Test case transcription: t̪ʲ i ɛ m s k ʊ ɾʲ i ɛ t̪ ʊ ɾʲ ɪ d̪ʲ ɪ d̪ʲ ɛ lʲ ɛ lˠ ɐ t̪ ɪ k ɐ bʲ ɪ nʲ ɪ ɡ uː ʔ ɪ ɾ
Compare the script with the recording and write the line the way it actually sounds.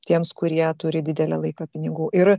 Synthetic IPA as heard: t̪ʲ i ɛ m s k ʊ ɾʲ i ɛ t̪ ʊ ɾʲ ɪ d̪ʲ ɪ d̪ʲ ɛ lʲ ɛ lˠ ɐ ɪ k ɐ pʲ ɪ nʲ ɪ ɡ uː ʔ ɪ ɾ